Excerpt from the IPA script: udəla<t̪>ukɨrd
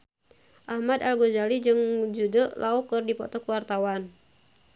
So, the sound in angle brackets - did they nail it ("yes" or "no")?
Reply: no